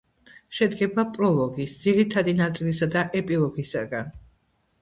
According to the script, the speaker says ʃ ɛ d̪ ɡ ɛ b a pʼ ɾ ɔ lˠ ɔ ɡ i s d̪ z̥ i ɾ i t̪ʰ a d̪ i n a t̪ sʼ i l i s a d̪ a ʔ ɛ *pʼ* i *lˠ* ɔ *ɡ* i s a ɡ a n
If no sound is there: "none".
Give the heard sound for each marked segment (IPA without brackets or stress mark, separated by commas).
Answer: pʼ, lˠ, ɡ